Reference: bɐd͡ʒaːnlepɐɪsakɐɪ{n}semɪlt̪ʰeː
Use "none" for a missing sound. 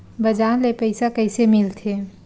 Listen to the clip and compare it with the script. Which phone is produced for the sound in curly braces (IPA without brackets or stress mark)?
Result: none